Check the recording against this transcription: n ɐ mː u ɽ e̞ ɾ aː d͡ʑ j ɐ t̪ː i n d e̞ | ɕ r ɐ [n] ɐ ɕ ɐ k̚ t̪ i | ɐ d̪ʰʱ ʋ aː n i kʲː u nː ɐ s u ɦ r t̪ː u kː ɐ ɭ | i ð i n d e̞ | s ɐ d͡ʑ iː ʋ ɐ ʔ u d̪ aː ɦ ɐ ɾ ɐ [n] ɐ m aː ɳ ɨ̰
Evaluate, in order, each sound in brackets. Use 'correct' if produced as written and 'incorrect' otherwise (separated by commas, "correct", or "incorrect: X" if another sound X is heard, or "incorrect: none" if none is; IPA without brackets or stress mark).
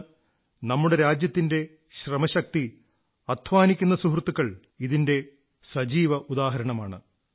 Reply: incorrect: m, incorrect: ɳ